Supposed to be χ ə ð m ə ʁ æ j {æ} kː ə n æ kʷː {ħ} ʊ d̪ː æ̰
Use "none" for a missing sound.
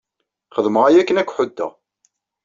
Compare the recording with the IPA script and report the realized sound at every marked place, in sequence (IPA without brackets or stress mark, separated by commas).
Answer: æ, ħ